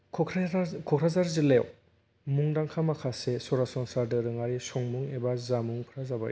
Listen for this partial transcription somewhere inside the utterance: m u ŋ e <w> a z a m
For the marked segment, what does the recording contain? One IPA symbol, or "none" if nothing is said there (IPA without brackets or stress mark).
b